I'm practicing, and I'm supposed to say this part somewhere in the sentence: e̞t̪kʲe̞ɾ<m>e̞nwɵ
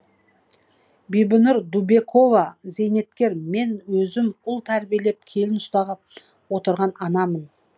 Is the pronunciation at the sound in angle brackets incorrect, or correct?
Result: correct